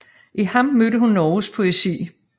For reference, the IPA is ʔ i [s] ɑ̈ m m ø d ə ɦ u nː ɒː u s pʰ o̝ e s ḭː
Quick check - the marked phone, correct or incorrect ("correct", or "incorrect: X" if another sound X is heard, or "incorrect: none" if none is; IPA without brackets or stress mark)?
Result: incorrect: h